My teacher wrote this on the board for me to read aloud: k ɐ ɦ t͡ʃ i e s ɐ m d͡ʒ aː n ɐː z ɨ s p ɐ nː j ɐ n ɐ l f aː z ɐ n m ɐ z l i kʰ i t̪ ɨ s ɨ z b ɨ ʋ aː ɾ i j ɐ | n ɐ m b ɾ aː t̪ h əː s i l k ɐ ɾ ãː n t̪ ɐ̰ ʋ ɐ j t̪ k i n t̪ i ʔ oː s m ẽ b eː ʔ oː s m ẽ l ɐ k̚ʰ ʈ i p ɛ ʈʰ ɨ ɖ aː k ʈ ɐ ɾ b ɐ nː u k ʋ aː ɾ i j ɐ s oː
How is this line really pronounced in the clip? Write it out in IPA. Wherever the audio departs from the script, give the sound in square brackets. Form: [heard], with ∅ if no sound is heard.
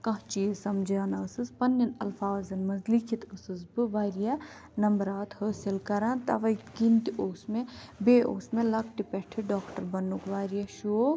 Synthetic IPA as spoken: k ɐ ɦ t͡ʃ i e s ɐ m d͡ʒ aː n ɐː [s] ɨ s p ɐ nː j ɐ n ɐ l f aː z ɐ n m ɐ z l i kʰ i t̪ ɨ s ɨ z b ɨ ʋ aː ɾ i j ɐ | n ɐ m b ɾ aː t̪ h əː s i l k ɐ ɾ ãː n t̪ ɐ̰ ʋ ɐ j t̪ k i n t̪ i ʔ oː s m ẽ b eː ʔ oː s m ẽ l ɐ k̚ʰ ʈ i p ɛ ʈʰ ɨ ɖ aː k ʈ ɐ ɾ b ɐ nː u k ʋ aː ɾ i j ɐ [ʃ] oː